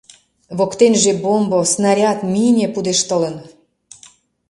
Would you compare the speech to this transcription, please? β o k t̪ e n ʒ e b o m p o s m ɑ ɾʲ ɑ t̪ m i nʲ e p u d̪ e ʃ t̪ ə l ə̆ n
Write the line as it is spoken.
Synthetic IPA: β o k t̪ e n ʒ e b o m b o s n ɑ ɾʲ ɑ t̪ m i nʲ e p u d̪ e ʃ t̪ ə l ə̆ n